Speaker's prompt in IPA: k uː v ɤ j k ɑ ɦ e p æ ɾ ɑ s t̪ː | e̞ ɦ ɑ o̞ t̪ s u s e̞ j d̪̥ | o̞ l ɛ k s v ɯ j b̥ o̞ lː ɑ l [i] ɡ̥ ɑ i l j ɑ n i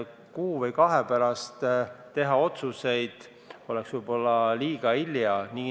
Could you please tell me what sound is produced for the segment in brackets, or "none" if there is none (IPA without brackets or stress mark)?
iː